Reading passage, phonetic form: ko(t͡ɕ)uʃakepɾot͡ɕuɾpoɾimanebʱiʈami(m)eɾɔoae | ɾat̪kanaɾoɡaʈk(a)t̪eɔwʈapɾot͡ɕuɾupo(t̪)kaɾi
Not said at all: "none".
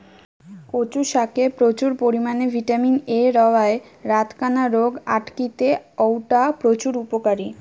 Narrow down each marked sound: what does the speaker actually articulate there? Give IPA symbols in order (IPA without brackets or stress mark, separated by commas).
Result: t͡ɕ, n, i, none